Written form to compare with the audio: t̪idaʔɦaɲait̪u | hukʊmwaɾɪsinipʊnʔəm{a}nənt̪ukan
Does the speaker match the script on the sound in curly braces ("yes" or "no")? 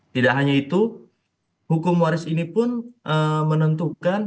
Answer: no